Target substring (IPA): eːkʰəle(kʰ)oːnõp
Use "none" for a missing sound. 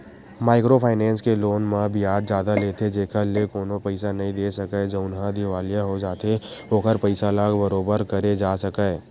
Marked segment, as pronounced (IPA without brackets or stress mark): k